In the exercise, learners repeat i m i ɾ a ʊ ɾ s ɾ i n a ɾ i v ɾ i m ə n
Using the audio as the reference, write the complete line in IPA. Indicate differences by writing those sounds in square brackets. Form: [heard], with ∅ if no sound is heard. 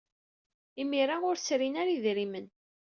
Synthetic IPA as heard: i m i ɾ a ʊ ɾ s ɾ i n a ɾ i [ð] ɾ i m ə n

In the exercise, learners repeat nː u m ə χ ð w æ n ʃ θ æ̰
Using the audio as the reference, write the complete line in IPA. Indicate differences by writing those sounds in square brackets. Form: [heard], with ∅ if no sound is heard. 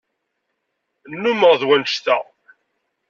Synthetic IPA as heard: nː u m ə [ʁ] ð w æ n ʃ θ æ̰

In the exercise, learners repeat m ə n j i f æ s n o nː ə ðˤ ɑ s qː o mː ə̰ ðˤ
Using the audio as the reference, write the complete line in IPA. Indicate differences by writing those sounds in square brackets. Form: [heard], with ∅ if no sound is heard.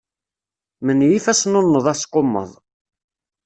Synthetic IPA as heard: m ə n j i f æ s n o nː ə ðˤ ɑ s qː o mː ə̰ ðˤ

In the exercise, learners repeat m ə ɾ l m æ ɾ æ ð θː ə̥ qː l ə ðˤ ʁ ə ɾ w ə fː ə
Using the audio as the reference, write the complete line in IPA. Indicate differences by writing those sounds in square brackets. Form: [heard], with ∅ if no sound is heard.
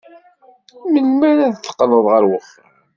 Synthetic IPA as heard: m ə [∅] l m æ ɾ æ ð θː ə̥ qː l ə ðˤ ʁ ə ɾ w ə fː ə

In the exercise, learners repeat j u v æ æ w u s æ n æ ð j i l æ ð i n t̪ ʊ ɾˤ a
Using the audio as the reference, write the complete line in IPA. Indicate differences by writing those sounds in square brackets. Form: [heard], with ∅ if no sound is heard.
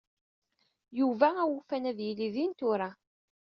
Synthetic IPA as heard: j u v æ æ w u [f] æ n æ ð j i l [i] ð i n t̪ ʊ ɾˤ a

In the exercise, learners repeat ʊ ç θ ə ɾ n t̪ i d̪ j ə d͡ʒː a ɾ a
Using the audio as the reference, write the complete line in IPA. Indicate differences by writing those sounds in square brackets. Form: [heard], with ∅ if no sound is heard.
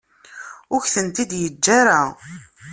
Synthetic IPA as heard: ʊ ç θ ə [∅] n t̪ i d̪ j ə d͡ʒː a ɾ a

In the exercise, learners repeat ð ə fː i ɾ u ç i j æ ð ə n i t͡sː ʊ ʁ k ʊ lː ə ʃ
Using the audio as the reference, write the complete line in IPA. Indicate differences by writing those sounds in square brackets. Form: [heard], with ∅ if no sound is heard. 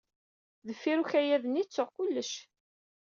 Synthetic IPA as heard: ð ə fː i ɾ u ç [æ] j æ ð ə n i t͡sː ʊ ʁ k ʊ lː ə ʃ

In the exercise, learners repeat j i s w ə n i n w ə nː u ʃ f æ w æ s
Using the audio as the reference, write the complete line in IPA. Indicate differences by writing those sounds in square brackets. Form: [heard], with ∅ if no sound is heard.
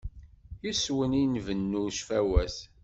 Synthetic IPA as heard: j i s w ə n i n [v] ə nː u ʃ f æ w æ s

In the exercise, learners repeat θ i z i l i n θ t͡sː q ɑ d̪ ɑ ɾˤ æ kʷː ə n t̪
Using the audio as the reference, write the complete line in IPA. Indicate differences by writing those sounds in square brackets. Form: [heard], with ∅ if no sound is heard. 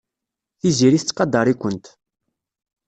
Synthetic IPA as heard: θ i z i [ɾ] i [∅] θ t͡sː q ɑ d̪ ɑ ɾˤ [i] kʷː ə n t̪

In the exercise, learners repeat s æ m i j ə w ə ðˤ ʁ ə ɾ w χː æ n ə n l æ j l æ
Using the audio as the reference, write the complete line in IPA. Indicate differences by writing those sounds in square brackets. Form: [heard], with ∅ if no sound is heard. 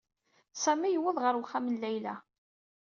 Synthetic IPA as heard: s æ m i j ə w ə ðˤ ʁ ə ɾ w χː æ [m] ə n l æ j l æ

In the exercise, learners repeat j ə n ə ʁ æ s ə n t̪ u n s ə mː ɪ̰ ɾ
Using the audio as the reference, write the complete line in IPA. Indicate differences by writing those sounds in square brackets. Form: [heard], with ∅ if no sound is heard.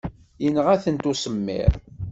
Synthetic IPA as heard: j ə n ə ʁ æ [θ] ə n t̪ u [∅] s ə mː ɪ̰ ɾ

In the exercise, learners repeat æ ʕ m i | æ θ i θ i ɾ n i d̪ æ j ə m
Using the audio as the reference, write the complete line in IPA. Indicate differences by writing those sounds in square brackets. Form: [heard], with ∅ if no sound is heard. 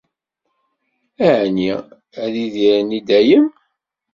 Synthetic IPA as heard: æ ʕ [n] i | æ [ð] i [ð] i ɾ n i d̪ æ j ə m

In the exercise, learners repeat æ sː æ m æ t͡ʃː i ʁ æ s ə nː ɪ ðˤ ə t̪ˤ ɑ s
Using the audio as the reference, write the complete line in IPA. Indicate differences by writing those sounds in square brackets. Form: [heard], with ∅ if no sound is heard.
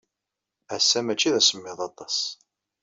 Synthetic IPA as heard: æ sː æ m æ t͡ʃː i [ð] æ s ə [mː] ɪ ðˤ [ɑ] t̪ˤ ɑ s

